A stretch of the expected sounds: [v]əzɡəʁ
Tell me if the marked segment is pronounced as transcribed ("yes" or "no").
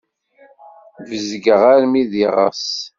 yes